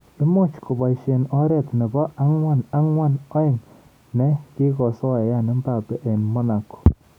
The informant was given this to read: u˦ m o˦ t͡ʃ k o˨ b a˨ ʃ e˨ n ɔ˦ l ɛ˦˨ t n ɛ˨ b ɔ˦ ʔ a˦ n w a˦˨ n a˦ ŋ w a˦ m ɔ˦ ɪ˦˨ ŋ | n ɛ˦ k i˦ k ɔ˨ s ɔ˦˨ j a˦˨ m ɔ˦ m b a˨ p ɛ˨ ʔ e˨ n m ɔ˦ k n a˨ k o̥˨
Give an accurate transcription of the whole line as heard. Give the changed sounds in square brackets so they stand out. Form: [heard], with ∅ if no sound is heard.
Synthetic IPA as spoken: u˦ m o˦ t͡ʃ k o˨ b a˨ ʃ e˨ n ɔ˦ [ɾ] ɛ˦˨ t n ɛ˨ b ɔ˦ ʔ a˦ [ŋ] w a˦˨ n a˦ ŋ w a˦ [n] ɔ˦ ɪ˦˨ ŋ | n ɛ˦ k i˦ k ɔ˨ s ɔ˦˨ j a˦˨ [n] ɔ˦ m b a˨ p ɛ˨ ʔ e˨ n m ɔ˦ [∅] n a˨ k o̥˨